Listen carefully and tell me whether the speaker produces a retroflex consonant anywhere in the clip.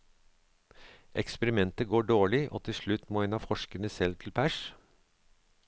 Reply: yes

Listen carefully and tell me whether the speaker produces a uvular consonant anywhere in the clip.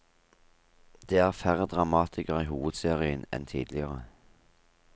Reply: yes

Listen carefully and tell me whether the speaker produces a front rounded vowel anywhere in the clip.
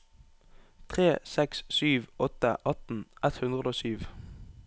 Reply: yes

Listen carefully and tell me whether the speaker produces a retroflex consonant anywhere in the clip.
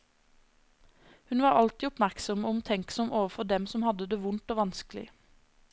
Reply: no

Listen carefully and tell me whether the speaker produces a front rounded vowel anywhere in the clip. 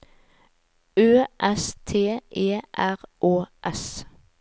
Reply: yes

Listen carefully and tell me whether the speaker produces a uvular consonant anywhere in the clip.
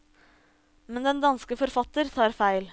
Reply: no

